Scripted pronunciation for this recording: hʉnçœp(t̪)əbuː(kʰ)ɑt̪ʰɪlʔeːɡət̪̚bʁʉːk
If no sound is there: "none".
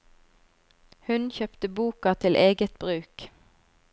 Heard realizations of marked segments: t̪, k

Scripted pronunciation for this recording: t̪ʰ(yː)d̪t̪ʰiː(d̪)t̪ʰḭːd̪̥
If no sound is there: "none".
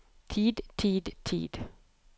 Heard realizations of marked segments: iː, d̪

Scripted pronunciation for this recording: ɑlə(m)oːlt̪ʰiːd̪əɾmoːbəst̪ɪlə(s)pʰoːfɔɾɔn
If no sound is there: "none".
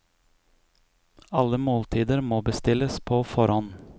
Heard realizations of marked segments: m, s

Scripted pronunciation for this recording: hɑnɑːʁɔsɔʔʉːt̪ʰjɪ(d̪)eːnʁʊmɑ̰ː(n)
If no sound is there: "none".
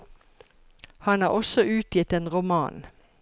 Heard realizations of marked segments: t̪, n

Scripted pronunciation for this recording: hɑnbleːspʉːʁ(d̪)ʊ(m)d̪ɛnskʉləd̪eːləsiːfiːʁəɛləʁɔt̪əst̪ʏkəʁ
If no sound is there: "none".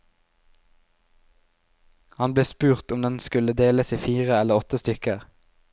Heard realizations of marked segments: t̪, m

